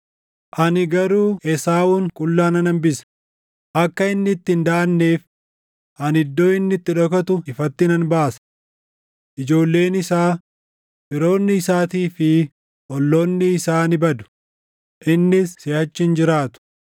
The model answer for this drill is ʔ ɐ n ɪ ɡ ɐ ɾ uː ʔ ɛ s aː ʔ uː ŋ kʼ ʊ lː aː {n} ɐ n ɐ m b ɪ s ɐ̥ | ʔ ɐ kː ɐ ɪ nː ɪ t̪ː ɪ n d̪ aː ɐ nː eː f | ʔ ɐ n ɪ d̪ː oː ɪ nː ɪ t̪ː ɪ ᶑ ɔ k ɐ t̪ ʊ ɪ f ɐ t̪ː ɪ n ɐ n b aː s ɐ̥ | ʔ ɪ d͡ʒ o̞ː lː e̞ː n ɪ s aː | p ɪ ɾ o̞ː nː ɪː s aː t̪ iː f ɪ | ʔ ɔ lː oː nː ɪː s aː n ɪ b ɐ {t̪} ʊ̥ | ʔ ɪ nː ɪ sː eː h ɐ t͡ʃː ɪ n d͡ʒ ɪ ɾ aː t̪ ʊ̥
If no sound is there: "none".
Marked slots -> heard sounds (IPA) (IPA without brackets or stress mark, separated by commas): n, d̪